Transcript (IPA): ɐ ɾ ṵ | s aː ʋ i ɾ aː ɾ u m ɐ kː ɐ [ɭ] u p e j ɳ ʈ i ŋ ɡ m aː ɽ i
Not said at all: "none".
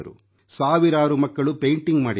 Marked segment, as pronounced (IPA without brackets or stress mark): ɭ